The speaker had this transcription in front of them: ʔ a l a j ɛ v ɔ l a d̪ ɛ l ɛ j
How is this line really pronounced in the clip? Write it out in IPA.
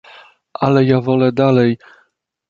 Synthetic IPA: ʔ a l ɛ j a v ɔ l ɛ d̪ a l ɛ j